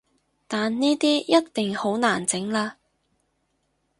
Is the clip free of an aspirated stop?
yes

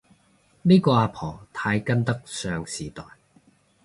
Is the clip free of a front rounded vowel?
no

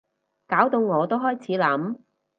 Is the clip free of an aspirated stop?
no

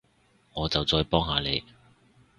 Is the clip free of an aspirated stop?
yes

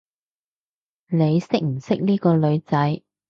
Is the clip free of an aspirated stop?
yes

